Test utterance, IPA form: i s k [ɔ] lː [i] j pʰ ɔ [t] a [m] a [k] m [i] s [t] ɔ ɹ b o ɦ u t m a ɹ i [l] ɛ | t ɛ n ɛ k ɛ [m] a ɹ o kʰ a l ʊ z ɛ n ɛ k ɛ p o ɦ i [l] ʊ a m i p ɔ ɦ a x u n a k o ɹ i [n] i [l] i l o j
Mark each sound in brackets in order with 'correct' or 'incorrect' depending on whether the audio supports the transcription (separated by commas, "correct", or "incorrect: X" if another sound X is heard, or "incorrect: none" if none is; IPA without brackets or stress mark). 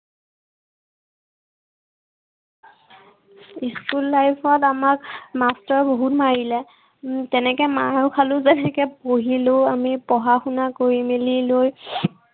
incorrect: u, incorrect: a, correct, correct, correct, incorrect: a, correct, correct, correct, correct, incorrect: m, correct